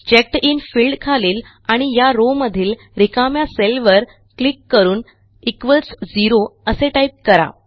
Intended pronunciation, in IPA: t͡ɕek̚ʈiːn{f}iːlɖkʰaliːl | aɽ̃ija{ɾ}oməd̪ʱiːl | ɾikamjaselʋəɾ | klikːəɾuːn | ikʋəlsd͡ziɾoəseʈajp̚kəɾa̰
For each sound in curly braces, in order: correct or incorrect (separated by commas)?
correct, correct